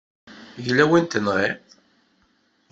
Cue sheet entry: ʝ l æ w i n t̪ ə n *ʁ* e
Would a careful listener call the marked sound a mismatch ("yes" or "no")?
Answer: no